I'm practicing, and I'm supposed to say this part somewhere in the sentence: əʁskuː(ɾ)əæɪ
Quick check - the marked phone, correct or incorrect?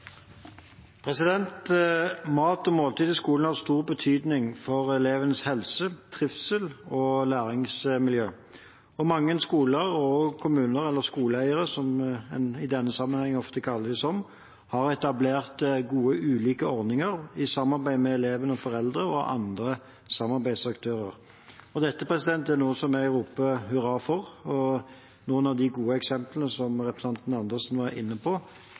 incorrect